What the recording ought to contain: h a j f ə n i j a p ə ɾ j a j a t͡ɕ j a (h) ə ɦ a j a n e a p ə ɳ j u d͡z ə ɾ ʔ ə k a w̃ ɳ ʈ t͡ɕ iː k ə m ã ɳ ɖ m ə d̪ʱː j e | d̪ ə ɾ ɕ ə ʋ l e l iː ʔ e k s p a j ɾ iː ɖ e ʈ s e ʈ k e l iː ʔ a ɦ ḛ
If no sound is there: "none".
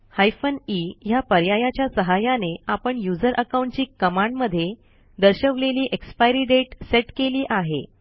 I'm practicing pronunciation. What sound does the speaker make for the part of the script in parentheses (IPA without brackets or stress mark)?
s